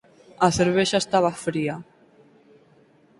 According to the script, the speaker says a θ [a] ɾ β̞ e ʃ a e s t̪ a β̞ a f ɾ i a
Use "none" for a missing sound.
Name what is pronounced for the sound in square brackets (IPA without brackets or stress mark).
e